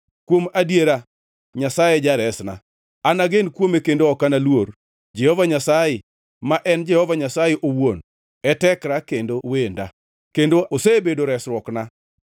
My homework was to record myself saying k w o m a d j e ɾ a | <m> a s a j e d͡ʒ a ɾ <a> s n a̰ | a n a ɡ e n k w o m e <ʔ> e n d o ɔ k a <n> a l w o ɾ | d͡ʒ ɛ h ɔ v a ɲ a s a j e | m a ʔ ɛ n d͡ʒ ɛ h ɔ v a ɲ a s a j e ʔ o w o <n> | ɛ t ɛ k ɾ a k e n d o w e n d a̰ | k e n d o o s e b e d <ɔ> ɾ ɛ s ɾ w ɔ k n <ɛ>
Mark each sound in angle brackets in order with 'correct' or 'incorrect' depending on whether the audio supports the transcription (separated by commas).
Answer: incorrect, incorrect, incorrect, correct, correct, incorrect, incorrect